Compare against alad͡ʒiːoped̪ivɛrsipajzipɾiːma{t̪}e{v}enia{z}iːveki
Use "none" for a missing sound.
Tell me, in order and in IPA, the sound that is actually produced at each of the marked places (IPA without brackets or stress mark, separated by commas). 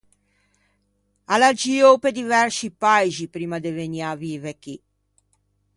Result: d̪, v, v